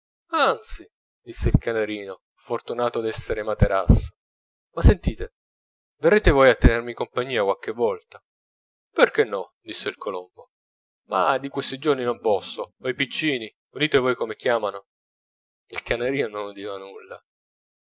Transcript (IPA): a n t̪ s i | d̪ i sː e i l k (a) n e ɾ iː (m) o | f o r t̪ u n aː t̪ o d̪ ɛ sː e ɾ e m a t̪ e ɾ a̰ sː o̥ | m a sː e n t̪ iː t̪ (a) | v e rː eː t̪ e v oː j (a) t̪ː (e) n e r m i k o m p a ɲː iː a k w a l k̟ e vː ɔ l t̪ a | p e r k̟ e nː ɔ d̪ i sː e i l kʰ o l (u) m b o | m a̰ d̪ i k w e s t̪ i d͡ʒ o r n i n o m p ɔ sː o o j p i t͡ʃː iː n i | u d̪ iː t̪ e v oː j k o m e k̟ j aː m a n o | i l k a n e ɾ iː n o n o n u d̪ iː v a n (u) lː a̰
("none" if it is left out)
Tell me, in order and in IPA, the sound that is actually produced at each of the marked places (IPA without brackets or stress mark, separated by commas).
a, n, e, a, e, o, u